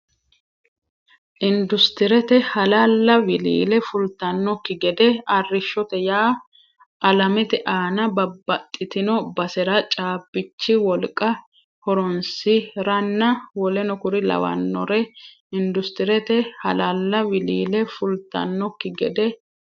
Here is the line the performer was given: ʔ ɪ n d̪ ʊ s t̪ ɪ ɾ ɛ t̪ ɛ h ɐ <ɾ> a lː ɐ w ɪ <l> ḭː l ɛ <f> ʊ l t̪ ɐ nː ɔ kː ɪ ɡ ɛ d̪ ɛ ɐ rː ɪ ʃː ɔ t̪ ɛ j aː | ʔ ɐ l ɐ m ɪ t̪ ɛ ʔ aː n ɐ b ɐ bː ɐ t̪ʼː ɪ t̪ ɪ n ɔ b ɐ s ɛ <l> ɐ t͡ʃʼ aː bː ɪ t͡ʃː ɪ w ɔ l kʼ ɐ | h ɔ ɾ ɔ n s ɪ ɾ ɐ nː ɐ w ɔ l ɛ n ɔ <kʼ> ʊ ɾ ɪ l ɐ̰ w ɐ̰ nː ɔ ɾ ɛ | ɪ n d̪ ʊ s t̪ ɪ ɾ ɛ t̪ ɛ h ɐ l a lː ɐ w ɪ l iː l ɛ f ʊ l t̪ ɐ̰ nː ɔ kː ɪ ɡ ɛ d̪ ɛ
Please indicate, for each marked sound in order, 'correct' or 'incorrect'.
incorrect: l, correct, correct, incorrect: ɾ, incorrect: k

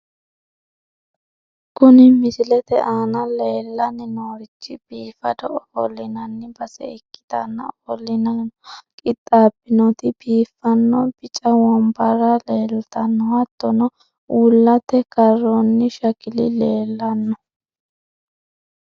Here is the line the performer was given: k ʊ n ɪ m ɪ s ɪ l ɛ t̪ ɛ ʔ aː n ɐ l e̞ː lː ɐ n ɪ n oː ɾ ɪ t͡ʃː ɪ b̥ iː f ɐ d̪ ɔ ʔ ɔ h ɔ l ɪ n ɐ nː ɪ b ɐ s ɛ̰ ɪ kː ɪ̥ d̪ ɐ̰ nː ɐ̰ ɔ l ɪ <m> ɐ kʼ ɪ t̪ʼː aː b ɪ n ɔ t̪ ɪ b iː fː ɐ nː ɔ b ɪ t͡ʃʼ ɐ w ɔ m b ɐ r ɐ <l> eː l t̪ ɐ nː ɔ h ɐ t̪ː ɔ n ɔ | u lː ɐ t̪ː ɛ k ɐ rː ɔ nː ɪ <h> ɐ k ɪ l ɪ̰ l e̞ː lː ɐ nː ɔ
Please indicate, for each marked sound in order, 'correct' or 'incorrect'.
incorrect: n, correct, incorrect: ʃ

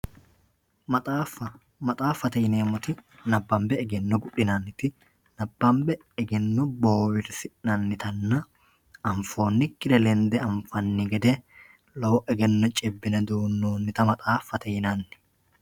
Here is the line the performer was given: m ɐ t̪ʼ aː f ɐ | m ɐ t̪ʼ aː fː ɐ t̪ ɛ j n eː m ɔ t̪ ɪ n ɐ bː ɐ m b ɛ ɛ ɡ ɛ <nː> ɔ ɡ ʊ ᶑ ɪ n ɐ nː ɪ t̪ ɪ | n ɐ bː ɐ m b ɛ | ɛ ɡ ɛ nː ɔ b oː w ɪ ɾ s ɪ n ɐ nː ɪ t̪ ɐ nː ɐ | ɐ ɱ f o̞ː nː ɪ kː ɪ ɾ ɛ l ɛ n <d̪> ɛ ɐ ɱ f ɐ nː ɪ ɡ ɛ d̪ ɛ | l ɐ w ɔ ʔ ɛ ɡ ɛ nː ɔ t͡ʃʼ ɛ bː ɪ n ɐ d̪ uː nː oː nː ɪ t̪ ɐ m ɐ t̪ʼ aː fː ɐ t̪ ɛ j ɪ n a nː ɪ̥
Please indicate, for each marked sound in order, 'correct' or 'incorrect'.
correct, correct

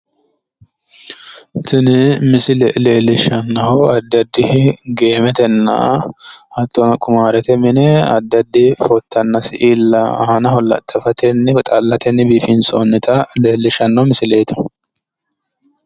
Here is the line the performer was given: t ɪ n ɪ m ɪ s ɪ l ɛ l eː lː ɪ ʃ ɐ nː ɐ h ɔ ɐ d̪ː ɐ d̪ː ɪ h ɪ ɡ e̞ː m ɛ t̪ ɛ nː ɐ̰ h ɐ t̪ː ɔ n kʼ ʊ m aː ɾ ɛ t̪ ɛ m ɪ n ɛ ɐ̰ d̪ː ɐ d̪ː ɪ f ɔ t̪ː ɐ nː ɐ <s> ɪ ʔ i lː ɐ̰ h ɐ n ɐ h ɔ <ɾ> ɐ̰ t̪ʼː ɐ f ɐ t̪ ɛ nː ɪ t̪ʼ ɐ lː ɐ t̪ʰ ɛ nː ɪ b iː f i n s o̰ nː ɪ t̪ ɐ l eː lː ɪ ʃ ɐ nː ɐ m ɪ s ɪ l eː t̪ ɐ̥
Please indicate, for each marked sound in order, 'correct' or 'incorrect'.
correct, incorrect: l

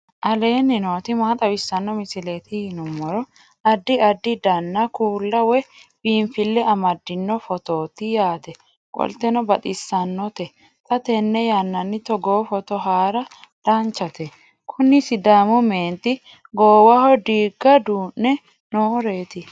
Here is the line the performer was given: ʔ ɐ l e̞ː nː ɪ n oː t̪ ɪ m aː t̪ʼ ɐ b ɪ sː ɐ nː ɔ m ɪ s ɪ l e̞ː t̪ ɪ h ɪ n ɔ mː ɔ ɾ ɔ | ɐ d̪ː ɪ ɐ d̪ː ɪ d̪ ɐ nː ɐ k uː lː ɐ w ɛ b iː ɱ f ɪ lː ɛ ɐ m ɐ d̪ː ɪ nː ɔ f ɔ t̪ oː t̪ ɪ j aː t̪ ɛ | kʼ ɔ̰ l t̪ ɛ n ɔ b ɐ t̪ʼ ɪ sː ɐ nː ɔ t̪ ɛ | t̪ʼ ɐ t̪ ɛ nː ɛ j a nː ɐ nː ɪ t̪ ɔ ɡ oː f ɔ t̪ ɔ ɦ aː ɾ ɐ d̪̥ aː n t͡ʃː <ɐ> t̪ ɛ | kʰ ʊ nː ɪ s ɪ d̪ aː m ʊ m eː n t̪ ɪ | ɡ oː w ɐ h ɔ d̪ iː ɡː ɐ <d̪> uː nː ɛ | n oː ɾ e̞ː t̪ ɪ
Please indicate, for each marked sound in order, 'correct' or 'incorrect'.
correct, correct

